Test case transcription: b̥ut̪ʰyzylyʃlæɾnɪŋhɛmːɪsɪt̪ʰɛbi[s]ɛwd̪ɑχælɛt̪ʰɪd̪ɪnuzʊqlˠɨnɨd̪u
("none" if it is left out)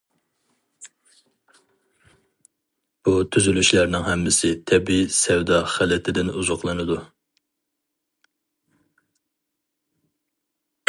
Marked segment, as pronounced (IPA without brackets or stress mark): s